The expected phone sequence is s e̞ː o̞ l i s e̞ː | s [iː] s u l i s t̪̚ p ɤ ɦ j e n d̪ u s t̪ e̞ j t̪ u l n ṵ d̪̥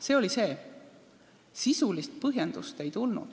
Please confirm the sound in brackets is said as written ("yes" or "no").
no